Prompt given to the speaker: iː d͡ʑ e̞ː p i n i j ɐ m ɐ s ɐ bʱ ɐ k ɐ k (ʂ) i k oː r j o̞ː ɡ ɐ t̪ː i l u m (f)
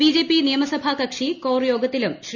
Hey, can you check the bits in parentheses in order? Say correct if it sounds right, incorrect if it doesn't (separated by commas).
correct, incorrect